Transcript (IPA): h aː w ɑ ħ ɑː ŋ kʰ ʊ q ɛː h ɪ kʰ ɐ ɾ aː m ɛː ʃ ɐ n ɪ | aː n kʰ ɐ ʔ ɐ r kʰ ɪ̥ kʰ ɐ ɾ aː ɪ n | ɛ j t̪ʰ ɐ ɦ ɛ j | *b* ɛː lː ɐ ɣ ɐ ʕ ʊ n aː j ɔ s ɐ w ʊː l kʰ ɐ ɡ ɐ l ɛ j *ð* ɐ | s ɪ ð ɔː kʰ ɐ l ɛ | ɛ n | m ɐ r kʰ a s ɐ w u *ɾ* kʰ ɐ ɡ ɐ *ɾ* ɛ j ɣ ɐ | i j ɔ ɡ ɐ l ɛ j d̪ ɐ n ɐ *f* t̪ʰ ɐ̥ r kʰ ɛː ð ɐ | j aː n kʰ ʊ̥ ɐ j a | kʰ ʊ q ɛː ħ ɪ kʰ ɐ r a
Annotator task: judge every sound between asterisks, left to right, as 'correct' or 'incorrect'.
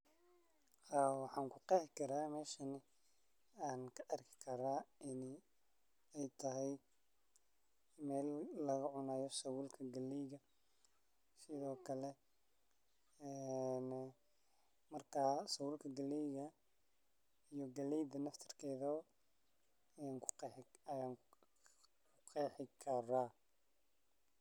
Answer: incorrect: m, incorrect: ɣ, incorrect: l, incorrect: l, correct

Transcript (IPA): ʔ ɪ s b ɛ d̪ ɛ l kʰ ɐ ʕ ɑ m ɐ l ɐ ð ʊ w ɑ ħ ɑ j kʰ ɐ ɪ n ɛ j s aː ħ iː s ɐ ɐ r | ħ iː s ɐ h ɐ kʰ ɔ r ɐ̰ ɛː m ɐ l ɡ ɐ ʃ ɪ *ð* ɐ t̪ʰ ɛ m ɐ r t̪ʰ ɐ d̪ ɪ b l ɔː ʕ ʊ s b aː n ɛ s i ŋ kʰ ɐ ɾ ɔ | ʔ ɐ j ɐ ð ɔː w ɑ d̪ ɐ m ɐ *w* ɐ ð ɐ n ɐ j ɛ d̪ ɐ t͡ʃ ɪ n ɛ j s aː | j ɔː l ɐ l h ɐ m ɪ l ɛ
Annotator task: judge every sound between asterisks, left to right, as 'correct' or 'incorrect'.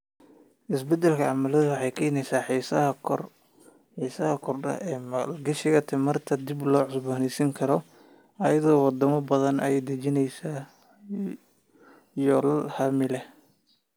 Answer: incorrect: ɣ, incorrect: b

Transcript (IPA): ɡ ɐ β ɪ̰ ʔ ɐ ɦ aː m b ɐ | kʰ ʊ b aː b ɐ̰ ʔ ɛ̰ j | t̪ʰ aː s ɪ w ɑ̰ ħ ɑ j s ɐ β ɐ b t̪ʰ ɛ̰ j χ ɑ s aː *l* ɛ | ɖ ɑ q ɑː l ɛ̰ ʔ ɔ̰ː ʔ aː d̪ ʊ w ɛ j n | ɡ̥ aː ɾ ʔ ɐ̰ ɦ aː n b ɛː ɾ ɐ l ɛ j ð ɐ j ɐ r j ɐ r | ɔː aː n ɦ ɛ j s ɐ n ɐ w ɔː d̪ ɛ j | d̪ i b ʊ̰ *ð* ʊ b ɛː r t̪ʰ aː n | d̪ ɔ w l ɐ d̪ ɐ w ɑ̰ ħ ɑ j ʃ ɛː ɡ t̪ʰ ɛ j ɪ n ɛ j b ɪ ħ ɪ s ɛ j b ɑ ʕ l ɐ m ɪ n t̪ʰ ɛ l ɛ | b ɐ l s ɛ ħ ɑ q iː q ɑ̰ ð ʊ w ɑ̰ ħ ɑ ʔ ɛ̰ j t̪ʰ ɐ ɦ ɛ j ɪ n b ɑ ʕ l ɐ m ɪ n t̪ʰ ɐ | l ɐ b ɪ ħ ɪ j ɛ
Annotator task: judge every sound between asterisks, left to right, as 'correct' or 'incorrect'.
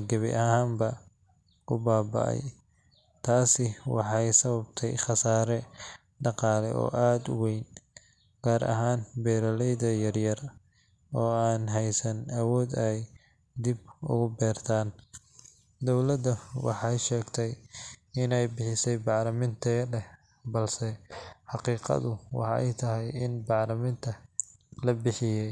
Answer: incorrect: ɾ, incorrect: ɣ

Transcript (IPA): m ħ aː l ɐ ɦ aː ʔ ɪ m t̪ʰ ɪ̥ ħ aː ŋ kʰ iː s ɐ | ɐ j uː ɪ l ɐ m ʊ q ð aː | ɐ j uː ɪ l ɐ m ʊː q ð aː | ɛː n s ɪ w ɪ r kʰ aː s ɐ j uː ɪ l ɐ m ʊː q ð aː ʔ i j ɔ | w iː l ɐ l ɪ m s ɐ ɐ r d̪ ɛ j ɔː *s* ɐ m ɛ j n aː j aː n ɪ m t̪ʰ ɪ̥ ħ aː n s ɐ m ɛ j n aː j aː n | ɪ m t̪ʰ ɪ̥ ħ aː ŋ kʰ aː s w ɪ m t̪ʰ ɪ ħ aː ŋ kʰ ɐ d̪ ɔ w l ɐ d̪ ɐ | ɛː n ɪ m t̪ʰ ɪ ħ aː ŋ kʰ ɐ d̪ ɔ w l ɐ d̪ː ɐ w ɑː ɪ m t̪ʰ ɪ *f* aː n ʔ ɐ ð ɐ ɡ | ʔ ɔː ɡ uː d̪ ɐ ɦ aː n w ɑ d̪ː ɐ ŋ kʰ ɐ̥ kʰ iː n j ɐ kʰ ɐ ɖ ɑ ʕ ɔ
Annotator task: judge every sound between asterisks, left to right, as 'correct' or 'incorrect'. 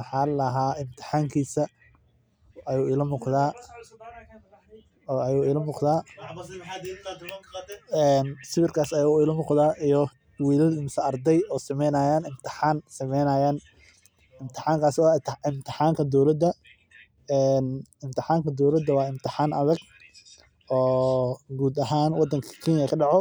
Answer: correct, incorrect: ħ

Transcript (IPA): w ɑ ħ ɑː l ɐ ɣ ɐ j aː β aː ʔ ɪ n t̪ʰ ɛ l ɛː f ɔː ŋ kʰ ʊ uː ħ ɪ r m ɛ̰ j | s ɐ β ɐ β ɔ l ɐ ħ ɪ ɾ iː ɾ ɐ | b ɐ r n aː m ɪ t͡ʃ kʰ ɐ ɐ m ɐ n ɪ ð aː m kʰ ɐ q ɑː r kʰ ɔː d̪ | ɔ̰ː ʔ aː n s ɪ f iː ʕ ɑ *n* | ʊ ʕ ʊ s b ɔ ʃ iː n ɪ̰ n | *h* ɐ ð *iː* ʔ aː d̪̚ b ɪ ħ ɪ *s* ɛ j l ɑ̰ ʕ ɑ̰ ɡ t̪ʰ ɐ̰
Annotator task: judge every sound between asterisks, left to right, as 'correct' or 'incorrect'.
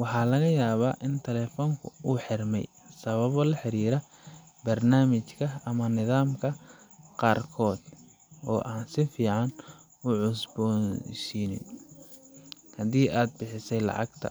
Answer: correct, correct, correct, correct

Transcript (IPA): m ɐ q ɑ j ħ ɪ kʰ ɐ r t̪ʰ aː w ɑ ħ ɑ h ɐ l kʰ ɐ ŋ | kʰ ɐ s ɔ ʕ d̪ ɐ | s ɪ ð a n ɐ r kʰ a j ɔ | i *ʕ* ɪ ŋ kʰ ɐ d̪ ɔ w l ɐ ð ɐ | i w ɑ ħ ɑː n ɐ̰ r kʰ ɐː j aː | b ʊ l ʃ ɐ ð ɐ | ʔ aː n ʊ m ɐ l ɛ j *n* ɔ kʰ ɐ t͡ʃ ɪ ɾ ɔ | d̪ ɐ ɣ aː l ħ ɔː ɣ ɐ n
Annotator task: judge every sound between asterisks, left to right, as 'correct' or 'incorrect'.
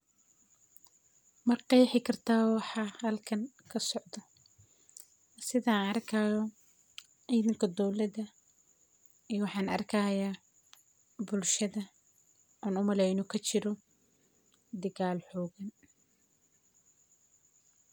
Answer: incorrect: ð, correct

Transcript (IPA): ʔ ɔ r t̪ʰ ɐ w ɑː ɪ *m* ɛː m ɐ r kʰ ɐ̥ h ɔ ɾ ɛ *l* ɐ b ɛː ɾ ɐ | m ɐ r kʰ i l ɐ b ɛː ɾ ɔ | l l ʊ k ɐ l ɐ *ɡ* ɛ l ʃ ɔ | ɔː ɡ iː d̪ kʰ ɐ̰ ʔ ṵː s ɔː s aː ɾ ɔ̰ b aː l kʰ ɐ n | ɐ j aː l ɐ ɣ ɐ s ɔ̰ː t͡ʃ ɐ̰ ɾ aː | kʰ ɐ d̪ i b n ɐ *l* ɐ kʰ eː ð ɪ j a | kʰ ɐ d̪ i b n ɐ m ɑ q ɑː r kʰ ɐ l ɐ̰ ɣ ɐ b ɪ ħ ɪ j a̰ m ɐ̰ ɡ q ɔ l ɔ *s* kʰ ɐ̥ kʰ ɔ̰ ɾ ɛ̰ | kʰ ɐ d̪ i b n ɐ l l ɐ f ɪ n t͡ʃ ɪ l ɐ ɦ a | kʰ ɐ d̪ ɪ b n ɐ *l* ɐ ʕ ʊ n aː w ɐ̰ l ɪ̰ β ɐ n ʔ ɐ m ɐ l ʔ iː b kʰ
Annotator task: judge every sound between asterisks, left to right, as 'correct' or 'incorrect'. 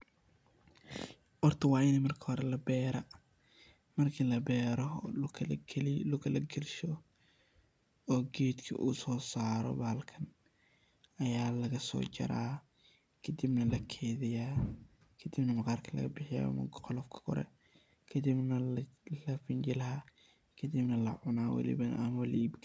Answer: incorrect: n, correct, correct, correct, incorrect: f, correct

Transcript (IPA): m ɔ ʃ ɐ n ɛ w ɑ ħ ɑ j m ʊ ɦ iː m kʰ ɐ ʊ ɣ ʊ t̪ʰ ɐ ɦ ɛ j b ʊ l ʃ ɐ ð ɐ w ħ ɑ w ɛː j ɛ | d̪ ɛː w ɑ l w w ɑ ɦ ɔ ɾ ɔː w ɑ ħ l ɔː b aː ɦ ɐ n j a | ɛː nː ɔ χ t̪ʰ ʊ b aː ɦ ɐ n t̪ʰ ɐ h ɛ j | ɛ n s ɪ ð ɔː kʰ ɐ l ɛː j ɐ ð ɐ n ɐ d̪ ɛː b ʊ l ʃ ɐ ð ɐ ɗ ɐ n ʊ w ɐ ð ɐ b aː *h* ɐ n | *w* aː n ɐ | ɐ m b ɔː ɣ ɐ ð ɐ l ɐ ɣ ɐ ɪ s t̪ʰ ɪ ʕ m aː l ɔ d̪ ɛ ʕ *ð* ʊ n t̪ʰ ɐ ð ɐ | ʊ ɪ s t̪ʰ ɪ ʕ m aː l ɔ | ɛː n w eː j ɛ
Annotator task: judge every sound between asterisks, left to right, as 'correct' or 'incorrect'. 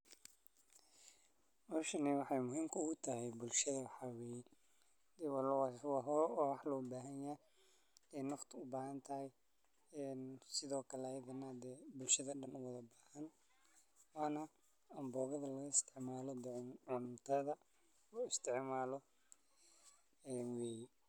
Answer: correct, correct, incorrect: ʕ

